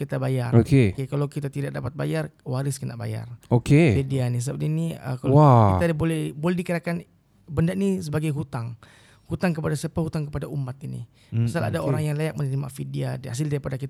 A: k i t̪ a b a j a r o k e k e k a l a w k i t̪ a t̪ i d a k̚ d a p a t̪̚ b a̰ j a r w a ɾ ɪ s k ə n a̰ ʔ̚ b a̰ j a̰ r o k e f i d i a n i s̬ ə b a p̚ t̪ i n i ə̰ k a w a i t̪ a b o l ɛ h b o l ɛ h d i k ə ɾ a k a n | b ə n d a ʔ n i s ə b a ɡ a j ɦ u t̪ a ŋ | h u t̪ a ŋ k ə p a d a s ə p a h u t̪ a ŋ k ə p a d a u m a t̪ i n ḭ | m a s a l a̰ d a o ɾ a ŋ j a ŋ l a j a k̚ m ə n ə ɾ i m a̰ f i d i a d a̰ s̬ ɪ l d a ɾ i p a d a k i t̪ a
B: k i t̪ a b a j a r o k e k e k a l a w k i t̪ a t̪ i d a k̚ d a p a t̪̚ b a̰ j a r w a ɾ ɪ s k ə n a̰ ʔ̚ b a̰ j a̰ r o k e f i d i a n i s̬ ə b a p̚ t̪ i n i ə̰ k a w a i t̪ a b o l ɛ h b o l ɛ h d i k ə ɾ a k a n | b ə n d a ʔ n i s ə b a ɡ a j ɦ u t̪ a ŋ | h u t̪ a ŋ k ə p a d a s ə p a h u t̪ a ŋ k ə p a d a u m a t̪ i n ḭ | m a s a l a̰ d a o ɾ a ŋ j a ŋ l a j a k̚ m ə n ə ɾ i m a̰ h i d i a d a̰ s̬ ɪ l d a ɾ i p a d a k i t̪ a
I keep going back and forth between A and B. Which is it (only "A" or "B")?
A